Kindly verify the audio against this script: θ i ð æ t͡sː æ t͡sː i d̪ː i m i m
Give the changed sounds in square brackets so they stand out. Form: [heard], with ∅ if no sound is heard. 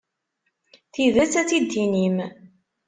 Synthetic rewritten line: θ i ð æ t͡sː æ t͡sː i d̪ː i [n] i m